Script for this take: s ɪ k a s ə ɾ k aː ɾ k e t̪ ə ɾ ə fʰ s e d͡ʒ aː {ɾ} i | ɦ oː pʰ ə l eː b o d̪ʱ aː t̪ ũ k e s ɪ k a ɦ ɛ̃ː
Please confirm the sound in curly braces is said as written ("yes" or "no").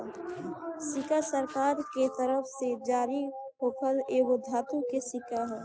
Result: yes